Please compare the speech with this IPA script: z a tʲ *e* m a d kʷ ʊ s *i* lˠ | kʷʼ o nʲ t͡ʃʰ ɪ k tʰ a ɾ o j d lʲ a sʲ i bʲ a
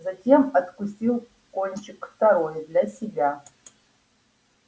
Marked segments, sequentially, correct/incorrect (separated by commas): correct, correct